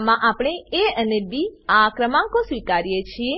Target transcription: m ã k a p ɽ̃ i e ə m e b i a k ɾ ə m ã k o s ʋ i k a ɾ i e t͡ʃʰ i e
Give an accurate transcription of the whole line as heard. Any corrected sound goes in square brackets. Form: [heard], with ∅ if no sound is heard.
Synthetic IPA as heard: m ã [ʔ] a p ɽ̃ [e] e ə [n] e b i a k ɾ ə m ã k o s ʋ i k a ɾ [j] e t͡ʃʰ i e